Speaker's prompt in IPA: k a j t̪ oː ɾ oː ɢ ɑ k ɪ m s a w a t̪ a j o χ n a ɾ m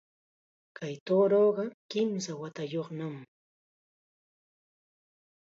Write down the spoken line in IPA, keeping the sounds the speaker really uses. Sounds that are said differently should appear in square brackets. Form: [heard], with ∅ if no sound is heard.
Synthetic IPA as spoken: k a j t̪ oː ɾ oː ɢ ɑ k ɪ m s a w a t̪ a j o χ n a [∅] m